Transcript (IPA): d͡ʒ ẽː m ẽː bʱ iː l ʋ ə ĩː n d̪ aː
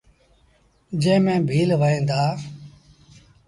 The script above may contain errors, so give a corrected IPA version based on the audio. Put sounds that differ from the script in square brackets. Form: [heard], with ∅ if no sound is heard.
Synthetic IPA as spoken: d͡ʒ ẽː m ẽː bʱ iː l ʋ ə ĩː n d̪ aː